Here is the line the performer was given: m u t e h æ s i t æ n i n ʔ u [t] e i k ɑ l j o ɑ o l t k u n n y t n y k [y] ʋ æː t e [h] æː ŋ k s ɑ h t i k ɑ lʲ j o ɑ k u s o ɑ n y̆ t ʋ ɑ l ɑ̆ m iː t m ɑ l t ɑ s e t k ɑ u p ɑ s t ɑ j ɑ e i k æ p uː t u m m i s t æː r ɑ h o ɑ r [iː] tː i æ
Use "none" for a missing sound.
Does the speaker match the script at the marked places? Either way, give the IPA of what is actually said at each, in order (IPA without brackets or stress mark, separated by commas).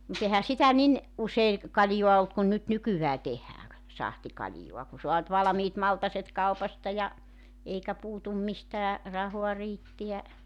s, y, h, iː